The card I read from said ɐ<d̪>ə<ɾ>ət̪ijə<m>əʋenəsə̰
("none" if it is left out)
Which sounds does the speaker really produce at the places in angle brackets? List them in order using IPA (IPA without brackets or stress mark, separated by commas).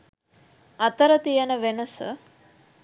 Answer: t̪, ɾ, n